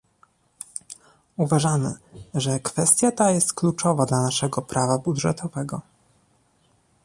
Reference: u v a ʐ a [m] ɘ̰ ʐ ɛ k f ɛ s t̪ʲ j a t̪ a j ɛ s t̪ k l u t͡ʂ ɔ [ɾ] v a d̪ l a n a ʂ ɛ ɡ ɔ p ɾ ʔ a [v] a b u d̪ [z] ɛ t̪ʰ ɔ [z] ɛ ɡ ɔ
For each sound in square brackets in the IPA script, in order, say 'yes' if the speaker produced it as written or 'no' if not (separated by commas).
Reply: yes, no, yes, no, no